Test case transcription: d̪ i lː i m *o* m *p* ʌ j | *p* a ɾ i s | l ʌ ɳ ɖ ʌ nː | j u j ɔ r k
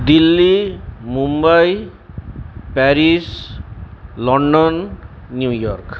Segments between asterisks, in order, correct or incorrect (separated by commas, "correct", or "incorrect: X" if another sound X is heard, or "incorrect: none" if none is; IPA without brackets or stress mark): incorrect: u, incorrect: b, correct